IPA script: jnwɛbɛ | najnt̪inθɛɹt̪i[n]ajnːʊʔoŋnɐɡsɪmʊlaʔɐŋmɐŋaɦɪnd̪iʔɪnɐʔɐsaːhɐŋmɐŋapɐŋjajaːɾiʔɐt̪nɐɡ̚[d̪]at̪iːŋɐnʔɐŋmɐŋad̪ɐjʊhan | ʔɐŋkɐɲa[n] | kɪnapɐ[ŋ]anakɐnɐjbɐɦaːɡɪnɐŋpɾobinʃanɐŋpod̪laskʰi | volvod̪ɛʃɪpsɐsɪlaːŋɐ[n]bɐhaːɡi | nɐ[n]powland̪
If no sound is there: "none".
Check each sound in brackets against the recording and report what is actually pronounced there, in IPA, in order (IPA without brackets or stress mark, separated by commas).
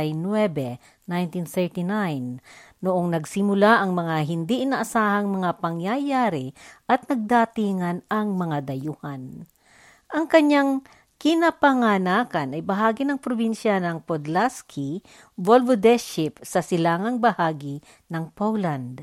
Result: n, d̪, ŋ, ŋ, ŋ, ŋ